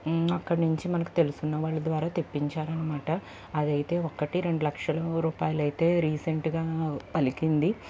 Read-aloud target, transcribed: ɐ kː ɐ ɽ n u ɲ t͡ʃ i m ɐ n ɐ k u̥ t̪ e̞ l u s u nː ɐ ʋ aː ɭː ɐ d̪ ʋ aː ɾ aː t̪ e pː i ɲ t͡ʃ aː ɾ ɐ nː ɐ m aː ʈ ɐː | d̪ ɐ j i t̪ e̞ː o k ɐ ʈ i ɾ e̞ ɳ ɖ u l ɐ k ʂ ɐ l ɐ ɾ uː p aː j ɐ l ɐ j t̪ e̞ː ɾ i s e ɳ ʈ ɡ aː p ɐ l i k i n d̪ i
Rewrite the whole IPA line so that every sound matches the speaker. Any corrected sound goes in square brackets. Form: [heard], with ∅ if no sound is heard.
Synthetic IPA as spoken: ɐ kː ɐ ɽ n u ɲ t͡ʃ i m ɐ n ɐ k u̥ t̪ e̞ l u s u nː ɐ ʋ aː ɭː ɐ d̪ ʋ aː ɾ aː t̪ e pː i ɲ t͡ʃ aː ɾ ɐ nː ɐ m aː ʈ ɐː | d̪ ɐ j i t̪ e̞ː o k ɐ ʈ i ɾ e̞ ɳ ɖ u l ɐ k ʂ ɐ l ɐ ɾ uː p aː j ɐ l ɐ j t̪ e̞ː ɾ [iː] s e ɳ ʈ ɡ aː p ɐ l i k i n d̪ i

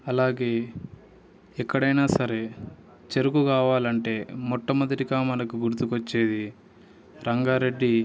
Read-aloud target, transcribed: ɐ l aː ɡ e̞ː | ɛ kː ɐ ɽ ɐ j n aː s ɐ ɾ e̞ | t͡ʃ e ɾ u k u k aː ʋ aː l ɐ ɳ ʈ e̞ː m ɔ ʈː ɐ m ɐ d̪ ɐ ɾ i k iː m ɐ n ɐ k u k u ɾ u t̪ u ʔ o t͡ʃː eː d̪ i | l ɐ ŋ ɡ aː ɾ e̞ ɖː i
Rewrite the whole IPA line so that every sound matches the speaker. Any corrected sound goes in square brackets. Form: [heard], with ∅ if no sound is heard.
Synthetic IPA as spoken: ɐ l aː ɡ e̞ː | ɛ kː ɐ ɽ ɐ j n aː s ɐ ɾ e̞ | t͡ʃ e ɾ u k u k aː ʋ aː l ɐ ɳ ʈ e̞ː m ɔ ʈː ɐ m ɐ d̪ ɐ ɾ i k [aː] m ɐ n ɐ k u [ɡ] u ɾ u t̪ u [k] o t͡ʃː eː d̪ i | [ɾ] ɐ ŋ ɡ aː ɾ e̞ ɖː i

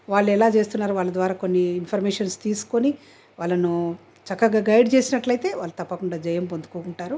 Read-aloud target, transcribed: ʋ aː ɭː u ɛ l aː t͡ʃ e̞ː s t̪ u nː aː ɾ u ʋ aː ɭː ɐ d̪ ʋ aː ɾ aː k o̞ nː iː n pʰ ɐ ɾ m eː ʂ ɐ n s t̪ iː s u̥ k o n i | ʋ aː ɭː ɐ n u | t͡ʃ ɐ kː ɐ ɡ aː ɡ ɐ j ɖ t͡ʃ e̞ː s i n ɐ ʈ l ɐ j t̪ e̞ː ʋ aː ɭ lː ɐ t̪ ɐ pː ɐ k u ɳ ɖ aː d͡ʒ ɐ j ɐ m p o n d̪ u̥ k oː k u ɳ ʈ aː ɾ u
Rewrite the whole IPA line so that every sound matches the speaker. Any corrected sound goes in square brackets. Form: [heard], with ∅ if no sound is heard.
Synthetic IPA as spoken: ʋ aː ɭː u ɛ l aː t͡ʃ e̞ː s t̪ u nː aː ɾ u ʋ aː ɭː ɐ d̪ ʋ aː ɾ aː k o̞ nː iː n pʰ ɐ ɾ m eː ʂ ɐ n s t̪ iː s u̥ k o n i | ʋ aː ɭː ɐ n u | t͡ʃ ɐ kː ɐ ɡ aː ɡ ɐ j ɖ t͡ʃ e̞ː s i n ɐ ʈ l ɐ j t̪ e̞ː ʋ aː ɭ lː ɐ t̪ ɐ pː ɐ k u ɳ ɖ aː d͡ʒ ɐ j ɐ m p o n d̪ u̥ k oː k u ɳ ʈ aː ɾ u

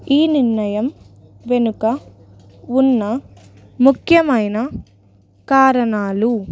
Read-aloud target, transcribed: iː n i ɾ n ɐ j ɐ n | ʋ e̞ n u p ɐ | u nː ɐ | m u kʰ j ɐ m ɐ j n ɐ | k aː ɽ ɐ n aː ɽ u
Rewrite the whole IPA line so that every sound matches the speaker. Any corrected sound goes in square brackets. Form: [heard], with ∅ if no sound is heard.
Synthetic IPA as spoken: iː n i ɾ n ɐ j ɐ [m] | ʋ e̞ n u [k] ɐ | u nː ɐ | m u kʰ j ɐ m ɐ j n ɐ | k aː [ɾ] ɐ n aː [l] u

